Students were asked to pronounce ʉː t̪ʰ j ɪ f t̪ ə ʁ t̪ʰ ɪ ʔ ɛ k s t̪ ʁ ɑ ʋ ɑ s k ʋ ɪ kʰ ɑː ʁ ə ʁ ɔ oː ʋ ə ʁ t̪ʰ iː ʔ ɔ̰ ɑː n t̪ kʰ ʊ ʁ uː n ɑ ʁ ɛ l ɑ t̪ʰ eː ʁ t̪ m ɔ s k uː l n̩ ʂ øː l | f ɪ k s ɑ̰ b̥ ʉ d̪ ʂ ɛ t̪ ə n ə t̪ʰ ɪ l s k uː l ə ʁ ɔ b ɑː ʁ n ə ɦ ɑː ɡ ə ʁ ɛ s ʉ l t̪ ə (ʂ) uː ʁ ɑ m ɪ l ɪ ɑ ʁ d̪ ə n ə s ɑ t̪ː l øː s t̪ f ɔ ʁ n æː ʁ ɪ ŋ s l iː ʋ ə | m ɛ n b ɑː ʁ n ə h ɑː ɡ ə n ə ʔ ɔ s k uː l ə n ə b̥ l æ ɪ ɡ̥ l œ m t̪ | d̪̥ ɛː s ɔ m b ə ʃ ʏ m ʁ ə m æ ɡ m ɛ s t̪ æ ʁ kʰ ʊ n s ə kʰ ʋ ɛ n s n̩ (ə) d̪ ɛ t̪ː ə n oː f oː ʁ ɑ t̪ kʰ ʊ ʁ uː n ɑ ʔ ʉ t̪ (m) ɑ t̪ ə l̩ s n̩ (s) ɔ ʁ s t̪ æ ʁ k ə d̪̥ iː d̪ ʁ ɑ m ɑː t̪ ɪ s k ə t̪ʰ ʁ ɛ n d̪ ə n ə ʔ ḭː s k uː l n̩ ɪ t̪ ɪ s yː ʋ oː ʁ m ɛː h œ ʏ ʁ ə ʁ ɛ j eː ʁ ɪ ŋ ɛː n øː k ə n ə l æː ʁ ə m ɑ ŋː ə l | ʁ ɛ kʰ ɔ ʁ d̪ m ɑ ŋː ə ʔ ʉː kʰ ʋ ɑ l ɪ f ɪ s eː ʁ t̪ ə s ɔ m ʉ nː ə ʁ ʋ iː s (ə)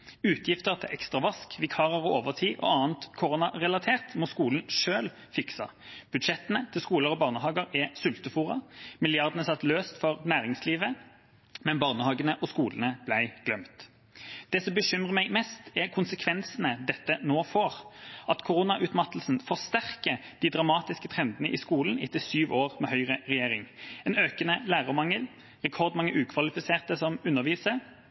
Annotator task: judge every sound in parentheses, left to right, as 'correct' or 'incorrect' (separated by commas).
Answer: incorrect, correct, correct, incorrect, correct